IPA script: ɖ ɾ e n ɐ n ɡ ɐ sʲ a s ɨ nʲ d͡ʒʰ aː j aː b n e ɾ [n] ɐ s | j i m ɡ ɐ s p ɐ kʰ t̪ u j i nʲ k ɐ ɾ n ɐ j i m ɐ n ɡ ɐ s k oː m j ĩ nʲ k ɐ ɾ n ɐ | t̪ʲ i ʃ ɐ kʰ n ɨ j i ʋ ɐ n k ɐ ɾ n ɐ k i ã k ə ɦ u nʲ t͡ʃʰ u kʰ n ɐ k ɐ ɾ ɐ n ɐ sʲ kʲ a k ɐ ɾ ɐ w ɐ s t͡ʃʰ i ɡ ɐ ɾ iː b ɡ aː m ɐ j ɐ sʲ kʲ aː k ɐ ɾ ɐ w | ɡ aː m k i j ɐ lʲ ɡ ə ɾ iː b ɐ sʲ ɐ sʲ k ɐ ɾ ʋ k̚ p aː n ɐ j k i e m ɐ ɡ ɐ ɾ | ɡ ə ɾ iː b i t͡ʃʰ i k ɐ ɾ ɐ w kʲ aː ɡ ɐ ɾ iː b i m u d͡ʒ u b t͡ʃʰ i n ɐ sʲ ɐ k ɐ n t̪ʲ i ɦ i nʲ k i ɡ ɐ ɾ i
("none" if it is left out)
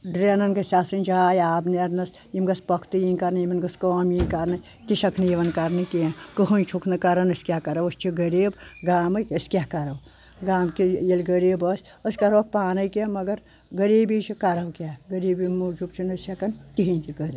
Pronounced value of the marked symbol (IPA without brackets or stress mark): n